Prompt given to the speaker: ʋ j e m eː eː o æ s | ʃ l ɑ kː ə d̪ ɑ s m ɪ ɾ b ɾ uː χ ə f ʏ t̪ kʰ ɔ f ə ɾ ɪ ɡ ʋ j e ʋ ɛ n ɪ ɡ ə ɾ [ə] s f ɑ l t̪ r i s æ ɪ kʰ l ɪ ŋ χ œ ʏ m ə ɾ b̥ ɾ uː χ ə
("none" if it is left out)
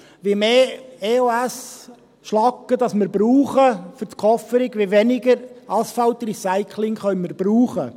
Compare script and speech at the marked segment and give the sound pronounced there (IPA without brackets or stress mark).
ɑ